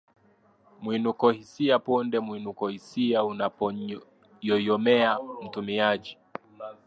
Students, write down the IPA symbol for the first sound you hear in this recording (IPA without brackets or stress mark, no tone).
m